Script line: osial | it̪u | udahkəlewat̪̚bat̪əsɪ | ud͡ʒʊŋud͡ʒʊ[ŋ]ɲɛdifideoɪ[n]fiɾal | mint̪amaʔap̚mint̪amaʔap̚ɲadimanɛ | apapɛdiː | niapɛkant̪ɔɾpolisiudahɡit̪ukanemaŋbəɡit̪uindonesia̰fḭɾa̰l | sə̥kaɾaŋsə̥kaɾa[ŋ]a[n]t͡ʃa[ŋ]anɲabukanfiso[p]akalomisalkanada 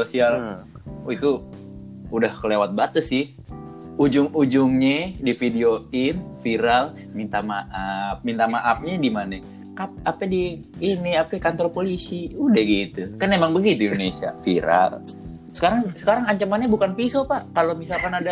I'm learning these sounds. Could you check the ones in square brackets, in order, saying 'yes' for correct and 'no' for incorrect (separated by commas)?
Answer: yes, yes, yes, no, no, yes